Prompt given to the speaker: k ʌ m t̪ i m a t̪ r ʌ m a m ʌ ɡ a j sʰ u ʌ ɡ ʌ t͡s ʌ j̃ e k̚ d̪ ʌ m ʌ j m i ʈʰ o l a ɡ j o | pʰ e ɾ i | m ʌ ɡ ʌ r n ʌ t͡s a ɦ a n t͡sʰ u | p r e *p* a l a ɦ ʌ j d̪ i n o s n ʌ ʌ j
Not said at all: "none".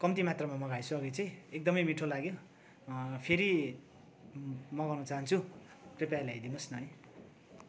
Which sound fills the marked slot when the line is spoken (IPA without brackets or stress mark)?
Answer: p